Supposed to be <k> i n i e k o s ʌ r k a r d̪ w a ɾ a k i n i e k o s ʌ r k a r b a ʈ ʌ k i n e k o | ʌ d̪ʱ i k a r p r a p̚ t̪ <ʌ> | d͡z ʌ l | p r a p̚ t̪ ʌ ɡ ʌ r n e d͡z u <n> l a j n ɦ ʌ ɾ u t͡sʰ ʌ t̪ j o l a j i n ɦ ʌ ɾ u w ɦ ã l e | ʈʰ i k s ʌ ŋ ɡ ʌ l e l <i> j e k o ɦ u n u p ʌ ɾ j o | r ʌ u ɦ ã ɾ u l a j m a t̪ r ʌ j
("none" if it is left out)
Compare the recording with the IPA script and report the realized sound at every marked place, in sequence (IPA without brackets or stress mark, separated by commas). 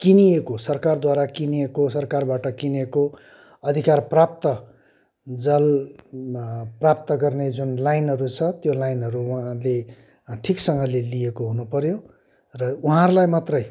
k, ʌ, n, i